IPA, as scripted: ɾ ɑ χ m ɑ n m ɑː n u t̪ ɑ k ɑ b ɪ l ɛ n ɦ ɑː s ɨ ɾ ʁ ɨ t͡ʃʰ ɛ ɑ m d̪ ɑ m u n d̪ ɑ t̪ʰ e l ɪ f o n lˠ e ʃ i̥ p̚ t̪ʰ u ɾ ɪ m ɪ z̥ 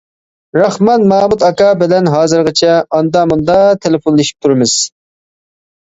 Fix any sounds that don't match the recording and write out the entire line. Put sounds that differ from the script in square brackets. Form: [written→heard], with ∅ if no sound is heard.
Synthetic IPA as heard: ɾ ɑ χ m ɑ n m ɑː [n→m] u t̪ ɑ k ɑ b ɪ l ɛ n ɦ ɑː [s→z] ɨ ɾ ʁ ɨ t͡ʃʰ ɛ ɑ [m→n] d̪ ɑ m u n d̪ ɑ t̪ʰ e l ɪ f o n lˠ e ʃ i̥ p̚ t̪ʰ u ɾ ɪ m ɪ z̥